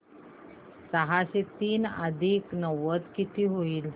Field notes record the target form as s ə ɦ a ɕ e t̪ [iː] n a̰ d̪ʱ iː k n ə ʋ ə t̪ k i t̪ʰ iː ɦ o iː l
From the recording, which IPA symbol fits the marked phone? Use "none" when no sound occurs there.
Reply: iː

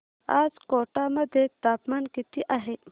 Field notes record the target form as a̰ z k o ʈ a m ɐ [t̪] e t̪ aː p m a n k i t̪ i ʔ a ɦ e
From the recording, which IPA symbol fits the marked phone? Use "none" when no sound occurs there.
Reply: d̪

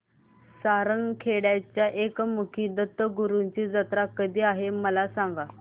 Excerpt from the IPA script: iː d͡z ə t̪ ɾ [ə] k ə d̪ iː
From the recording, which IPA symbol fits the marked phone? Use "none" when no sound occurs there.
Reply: a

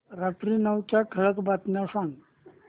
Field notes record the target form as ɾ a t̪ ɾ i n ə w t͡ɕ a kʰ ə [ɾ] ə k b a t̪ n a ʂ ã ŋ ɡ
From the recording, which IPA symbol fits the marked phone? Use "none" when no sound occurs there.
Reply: ɭ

